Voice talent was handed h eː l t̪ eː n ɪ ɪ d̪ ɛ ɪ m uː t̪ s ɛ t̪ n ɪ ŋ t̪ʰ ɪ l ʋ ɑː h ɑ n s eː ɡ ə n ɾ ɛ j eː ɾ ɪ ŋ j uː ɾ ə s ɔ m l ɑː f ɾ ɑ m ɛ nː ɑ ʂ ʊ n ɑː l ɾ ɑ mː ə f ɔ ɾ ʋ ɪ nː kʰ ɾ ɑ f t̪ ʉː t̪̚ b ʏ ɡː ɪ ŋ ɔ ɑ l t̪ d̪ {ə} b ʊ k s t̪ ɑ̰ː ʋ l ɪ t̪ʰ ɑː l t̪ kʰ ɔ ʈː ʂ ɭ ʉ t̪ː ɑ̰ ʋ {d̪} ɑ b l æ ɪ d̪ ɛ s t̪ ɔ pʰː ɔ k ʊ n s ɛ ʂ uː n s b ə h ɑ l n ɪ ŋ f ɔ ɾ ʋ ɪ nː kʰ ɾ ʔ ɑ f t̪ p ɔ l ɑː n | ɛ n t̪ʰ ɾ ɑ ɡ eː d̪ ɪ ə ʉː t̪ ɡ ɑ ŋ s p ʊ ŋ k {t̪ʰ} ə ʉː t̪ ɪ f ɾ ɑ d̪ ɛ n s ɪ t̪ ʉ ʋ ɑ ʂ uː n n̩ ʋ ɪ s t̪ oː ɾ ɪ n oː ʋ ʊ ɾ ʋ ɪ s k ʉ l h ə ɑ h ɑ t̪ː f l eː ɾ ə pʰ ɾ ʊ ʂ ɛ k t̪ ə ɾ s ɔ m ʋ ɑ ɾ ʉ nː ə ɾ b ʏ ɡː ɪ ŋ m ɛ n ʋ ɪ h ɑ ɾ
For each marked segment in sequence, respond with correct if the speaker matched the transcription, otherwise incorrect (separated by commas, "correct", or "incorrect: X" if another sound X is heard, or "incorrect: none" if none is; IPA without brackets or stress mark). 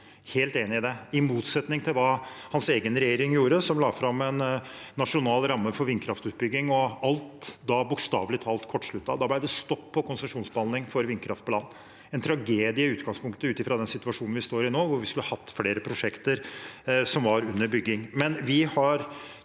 incorrect: ɑ, correct, incorrect: t̪